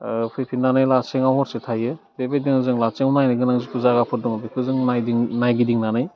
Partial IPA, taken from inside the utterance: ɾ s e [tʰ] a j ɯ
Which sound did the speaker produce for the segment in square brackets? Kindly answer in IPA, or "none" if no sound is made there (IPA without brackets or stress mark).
tʰ